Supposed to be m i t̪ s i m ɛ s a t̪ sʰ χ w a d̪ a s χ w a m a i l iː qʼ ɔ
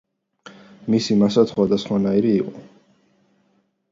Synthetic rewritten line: m i s i m a s a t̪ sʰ χ w a d̪ a s χ w a n a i ɾ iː qʼ ɔ